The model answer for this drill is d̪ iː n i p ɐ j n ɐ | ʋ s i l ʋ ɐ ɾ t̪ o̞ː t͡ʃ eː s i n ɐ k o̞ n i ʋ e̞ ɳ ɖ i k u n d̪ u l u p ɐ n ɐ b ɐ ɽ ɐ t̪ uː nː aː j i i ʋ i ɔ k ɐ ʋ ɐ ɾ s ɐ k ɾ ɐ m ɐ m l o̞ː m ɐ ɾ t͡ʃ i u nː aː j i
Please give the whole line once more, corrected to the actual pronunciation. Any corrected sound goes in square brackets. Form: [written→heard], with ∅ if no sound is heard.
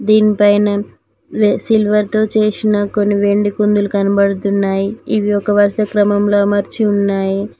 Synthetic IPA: d̪ iː n i p ɐ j n ɐ | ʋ s i l ʋ ɐ ɾ t̪ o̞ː t͡ʃ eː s i n ɐ k o̞ [n→nː] i ʋ e̞ ɳ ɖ i k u n d̪ u l u [p→k] ɐ n ɐ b ɐ ɽ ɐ t̪ [uː→u] nː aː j i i ʋ i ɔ k ɐ ʋ ɐ ɾ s ɐ k ɾ ɐ m ɐ m l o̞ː m ɐ ɾ t͡ʃ i u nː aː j i

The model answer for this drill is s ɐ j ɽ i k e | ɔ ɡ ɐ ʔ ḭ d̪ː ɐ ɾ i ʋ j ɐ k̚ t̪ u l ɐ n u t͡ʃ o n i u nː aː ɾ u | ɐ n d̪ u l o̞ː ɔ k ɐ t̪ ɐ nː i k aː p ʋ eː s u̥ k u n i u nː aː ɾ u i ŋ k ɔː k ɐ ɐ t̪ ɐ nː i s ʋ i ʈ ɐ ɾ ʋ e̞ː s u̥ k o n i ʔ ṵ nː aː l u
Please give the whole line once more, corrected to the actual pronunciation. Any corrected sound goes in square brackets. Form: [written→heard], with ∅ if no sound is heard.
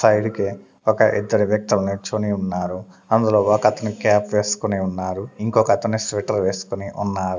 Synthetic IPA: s ɐ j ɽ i k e | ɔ [ɡ→k] ɐ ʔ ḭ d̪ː ɐ ɾ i ʋ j ɐ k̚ t̪ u l ɐ n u t͡ʃ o n i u nː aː ɾ u | ɐ n d̪ u l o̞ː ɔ k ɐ t̪ ɐ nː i k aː p ʋ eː s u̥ k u n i u nː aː ɾ u i ŋ k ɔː k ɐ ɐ t̪ ɐ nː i s ʋ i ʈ ɐ ɾ ʋ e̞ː s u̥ k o n i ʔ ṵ nː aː [l→ɾ] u

